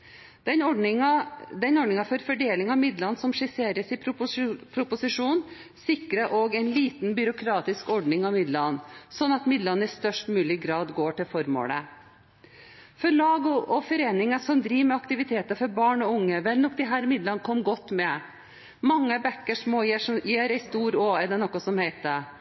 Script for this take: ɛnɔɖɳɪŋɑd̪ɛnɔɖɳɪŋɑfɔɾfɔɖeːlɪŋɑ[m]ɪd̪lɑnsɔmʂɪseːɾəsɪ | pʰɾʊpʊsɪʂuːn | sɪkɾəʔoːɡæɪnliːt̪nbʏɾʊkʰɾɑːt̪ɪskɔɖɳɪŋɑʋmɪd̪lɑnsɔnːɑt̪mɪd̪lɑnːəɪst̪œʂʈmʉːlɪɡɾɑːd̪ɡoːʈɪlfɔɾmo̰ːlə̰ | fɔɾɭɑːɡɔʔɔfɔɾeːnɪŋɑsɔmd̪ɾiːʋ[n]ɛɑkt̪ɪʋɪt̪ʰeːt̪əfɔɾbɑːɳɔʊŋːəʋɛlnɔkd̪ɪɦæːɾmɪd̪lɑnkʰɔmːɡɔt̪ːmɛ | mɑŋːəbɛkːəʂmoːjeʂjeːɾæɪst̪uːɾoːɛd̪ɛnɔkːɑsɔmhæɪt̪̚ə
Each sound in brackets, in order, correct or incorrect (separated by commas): correct, incorrect